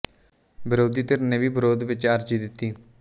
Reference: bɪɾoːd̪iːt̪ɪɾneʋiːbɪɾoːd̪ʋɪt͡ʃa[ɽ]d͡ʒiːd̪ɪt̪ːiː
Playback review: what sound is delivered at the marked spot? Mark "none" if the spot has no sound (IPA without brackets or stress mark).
ɾ